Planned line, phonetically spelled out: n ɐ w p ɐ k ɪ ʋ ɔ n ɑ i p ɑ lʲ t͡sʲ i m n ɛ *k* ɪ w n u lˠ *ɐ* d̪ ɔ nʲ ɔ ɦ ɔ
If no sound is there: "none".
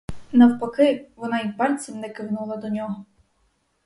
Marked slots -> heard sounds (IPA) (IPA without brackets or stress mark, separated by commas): k, ɐ